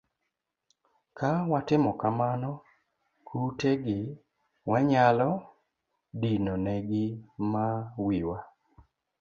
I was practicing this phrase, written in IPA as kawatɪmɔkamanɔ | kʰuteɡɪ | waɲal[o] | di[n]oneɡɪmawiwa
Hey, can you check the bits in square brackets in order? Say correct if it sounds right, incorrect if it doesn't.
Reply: incorrect, correct

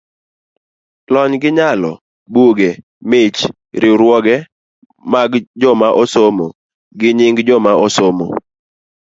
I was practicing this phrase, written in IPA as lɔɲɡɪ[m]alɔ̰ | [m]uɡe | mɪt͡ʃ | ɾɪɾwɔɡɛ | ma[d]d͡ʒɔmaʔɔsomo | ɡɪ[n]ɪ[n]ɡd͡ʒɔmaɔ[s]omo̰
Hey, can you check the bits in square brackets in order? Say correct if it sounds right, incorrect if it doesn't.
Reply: incorrect, incorrect, incorrect, incorrect, incorrect, correct

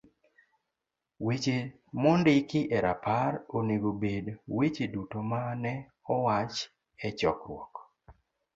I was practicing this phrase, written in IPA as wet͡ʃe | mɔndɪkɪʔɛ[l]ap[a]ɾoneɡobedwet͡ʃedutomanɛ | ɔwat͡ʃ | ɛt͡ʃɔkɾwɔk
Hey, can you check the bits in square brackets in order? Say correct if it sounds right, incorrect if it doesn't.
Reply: incorrect, correct

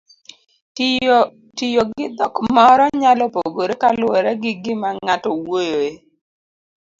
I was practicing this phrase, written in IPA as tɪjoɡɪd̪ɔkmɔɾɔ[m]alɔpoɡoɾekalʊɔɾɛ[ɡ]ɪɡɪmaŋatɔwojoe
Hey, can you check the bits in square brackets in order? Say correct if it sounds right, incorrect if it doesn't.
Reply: incorrect, correct

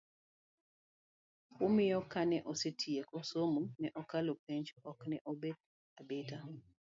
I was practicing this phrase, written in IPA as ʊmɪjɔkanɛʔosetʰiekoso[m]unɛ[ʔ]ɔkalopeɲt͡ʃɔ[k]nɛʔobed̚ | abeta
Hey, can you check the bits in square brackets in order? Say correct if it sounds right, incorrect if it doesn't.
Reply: correct, correct, correct

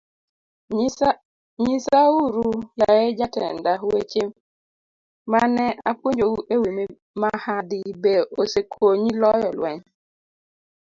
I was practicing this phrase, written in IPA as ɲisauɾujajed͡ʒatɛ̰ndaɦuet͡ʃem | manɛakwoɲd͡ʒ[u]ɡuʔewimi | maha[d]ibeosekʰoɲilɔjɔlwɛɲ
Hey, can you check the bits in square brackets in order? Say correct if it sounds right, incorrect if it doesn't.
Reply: incorrect, correct

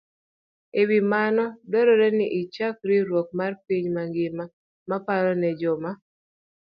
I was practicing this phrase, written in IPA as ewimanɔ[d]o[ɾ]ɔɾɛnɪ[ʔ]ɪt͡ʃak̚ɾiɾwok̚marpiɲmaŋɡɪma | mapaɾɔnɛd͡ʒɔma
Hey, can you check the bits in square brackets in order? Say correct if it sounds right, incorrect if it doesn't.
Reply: correct, correct, correct

